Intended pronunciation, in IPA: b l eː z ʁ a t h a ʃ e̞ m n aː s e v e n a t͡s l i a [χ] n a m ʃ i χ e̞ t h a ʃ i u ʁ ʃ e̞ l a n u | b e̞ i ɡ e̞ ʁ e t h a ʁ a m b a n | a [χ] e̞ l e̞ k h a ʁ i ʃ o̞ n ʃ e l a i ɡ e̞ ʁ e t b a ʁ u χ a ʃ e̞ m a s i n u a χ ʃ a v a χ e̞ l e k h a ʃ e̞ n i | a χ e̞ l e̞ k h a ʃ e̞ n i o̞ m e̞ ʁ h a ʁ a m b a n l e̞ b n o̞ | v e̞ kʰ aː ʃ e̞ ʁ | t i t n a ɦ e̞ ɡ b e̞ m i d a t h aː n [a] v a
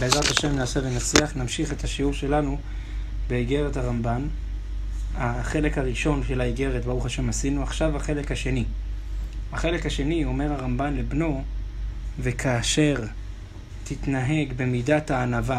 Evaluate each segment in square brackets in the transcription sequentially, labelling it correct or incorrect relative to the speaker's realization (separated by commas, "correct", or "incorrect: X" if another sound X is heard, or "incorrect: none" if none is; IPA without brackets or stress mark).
correct, correct, correct